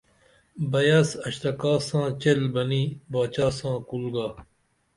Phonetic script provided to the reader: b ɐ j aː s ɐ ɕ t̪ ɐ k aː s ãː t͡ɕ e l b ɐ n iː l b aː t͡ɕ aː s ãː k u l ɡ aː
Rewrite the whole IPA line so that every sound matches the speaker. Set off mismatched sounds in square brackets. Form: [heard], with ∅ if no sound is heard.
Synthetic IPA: b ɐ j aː s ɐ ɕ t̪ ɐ k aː s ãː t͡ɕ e l b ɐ n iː [∅] b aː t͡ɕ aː s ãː k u l ɡ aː